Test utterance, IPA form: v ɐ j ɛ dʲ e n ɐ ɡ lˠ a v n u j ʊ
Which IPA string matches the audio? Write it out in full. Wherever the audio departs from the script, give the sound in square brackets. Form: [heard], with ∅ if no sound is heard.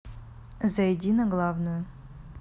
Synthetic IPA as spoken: [z] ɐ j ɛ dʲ [i] n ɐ ɡ lˠ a v n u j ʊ